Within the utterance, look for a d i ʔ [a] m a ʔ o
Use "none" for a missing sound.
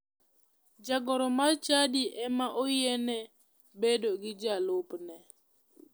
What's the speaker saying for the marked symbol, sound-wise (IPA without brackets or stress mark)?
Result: ɛ